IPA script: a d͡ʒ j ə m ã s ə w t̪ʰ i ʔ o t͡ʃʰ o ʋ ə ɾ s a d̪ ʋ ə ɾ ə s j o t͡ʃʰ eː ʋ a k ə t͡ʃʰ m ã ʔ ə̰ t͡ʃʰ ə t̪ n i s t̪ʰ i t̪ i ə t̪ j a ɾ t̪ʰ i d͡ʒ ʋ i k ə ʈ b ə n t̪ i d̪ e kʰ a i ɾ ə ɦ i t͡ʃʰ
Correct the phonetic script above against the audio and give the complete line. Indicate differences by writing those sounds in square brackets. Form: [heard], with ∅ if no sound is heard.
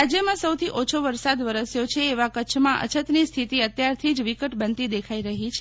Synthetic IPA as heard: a d͡ʒ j ə m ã s ə w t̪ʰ i ʔ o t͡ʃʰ o ʋ ə ɾ s a d̪ ʋ ə ɾ ə s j o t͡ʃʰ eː ʋ a k ə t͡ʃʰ m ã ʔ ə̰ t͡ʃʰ ə t̪ n i s t̪ʰ i t̪ i ə t̪ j a ɾ t̪ʰ i d͡ʒ ʋ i k ə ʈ b ə n t̪ i d̪ e kʰ a i ɾ ə ɦ i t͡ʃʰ